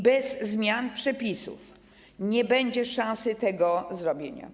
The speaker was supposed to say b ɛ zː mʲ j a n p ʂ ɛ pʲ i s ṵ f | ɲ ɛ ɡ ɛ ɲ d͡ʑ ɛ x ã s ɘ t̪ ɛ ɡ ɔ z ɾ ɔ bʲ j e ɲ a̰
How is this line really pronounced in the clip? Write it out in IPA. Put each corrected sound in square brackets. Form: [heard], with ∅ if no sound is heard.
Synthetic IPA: b ɛ zː mʲ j a n p ʂ ɛ pʲ i s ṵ f | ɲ ɛ [b] ɛ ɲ d͡ʑ ɛ [ʂ] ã s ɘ t̪ ɛ ɡ ɔ z ɾ ɔ bʲ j e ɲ a̰